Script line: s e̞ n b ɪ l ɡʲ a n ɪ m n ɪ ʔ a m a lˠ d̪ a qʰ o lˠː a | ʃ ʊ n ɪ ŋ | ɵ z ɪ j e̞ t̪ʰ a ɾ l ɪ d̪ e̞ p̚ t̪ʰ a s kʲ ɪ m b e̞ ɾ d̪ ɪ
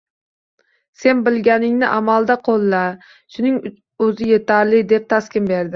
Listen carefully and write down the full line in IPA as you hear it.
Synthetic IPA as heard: s e̞ n b ɪ l ɡʲ a n ɪ ŋ n ɪ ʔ a m a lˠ d̪ a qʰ o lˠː a | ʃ ʊ n ɪ ŋ | ɵ z ɪ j e̞ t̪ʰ a ɾ l ɪ d̪ e̞ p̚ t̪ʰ a s kʲ ɪ m b e̞ ɾ d̪ ɪ